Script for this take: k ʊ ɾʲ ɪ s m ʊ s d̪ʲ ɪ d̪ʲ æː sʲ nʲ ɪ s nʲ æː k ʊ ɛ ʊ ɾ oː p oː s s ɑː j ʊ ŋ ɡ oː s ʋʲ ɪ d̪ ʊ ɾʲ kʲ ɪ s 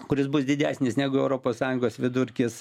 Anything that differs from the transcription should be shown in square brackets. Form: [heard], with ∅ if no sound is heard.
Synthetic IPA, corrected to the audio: k ʊ ɾʲ ɪ s [b] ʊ s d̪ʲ ɪ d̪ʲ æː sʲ nʲ ɪ s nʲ æː [ɡ] ʊ ɛ ʊ ɾ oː p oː s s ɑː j ʊ ŋ ɡ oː s ʋʲ ɪ d̪ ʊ ɾʲ kʲ ɪ s